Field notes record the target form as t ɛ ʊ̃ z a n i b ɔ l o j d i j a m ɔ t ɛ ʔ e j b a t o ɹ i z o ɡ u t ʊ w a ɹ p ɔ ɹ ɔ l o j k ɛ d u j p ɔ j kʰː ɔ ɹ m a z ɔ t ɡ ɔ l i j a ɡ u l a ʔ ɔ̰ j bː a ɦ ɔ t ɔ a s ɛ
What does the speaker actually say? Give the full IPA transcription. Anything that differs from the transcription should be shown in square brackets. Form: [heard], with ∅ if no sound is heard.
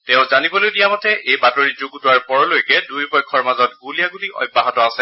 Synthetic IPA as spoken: t ɛ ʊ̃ z a n i b ɔ l o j d i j a m ɔ t ɛ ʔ e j b a t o ɹ i z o ɡ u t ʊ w a ɹ p ɔ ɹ ɔ l o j k ɛ d u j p ɔ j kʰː ɔ ɹ m a z ɔ t ɡ [u] l i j a ɡ u l [i] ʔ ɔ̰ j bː a ɦ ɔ t ɔ a s ɛ